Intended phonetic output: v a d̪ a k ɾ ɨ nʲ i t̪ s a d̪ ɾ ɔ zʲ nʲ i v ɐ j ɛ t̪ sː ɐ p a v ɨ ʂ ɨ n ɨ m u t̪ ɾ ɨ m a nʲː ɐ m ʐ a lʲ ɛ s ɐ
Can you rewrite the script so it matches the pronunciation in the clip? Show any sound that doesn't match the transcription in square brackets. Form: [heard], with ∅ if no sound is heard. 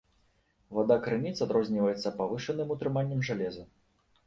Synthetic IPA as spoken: v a d̪ a k ɾ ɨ nʲ i t̪ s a d̪ ɾ ɔ zʲ nʲ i v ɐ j ɛ t̪ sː ɐ p a v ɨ ʂ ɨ n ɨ m u t̪ ɾ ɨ m a nʲː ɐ m ʐ a lʲ ɛ [z] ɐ